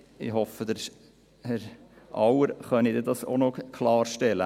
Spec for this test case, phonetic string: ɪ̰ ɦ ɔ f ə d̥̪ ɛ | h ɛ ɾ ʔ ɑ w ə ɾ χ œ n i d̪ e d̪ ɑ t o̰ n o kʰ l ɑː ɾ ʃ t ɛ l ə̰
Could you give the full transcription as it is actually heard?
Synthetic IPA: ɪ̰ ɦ ɔ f ə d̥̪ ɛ | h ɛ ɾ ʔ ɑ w ə ɾ χ œ n i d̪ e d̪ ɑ s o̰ n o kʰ l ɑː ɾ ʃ t ɛ l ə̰